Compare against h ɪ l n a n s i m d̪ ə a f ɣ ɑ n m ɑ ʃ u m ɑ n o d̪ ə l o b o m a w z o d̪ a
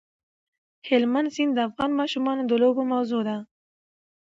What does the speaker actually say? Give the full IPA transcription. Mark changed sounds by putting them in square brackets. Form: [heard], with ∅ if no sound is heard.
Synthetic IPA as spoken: h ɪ l [m] a n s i [n] d̪ ə a f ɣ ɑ n m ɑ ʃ u m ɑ n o d̪ ə l o b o m a w z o d̪ a